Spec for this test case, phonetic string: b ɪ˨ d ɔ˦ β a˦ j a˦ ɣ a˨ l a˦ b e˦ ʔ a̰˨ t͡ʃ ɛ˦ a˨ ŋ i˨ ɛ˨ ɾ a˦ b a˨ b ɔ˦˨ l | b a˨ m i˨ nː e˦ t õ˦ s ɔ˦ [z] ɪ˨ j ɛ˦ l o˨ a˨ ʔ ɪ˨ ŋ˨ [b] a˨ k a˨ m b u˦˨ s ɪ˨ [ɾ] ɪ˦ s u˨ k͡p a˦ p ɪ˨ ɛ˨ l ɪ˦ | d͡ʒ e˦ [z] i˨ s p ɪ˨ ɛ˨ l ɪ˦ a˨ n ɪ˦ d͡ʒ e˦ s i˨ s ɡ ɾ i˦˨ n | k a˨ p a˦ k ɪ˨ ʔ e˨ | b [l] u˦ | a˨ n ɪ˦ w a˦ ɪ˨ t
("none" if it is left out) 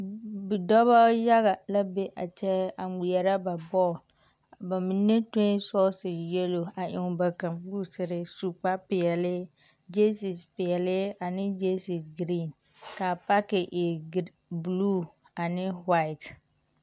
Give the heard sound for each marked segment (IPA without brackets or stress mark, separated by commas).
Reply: s, b, ɾ, s, l